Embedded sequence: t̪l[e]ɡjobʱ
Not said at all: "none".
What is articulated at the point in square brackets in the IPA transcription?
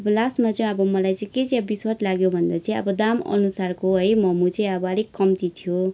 a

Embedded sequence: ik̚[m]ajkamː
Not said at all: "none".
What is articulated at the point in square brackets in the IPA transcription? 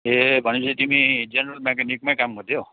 m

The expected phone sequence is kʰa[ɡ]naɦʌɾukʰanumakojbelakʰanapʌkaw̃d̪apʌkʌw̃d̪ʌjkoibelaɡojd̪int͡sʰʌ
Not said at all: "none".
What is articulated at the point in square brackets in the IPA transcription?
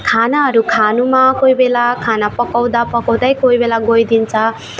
none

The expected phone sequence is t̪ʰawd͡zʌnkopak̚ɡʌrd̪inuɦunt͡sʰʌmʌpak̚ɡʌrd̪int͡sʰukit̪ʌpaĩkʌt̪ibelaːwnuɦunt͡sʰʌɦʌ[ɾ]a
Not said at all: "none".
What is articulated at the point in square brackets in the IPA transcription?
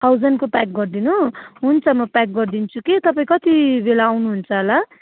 l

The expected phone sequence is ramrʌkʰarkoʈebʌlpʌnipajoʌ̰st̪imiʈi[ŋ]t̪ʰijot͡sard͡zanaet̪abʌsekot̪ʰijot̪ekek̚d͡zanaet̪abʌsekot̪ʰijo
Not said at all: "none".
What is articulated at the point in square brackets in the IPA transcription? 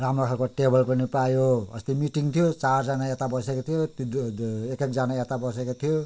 ŋ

